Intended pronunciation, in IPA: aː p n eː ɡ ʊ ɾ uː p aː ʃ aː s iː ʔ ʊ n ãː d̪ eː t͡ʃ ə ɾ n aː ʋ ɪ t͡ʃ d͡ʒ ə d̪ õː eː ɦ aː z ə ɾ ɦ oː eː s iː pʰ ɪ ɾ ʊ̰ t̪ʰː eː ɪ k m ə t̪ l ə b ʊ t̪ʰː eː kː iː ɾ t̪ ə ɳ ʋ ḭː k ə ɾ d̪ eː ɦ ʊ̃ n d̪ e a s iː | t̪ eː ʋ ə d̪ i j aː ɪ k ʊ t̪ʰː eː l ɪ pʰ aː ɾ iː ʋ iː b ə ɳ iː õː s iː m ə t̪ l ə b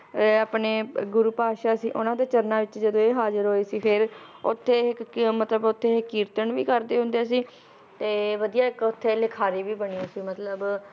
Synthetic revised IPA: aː p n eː ɡ ʊ ɾ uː p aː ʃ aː s iː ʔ ʊ n ãː d̪ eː t͡ʃ ə ɾ n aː ʋ ɪ t͡ʃ d͡ʒ ə d̪ õː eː ɦ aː z ə ɾ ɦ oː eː s iː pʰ ɪ ɾ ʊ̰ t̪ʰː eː ɪ k m ə t̪ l ə b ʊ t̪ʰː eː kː iː ɾ t̪ ə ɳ ʋ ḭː k ə ɾ d̪ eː ɦ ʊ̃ n d̪ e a s iː | t̪ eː ʋ ə d̪ i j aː ɪ k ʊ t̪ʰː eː l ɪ kʰ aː ɾ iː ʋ iː b ə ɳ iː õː s iː m ə t̪ l ə b